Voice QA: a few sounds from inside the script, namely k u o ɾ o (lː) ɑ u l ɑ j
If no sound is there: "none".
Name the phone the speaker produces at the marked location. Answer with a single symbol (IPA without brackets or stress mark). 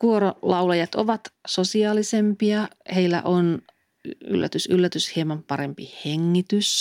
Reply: l